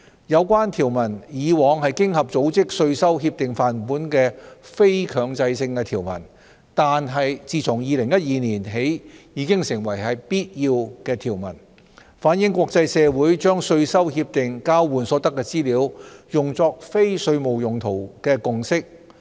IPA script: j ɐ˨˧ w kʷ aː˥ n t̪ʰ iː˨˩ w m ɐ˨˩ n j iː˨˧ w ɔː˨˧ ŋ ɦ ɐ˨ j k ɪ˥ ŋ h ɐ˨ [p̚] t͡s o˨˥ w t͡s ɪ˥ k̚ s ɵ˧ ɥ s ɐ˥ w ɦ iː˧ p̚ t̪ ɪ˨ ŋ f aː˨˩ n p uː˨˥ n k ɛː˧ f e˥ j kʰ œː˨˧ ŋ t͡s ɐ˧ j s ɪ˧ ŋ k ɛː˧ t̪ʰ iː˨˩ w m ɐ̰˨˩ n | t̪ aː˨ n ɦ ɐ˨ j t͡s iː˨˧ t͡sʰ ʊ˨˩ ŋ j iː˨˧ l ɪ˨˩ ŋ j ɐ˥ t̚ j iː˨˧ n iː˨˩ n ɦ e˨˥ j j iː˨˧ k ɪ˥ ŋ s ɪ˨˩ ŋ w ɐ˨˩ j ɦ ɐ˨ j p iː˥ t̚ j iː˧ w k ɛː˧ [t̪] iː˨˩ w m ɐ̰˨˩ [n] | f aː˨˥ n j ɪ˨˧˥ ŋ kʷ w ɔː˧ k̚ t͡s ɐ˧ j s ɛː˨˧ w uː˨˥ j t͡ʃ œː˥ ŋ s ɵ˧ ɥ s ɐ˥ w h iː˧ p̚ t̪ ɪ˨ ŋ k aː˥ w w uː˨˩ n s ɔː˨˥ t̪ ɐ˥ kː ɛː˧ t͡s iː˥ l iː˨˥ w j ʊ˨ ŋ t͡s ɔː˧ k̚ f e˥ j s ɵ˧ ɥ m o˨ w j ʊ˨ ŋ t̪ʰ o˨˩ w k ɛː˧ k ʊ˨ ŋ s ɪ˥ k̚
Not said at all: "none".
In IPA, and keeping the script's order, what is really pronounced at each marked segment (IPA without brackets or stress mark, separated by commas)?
p̚, t̪ʰ, n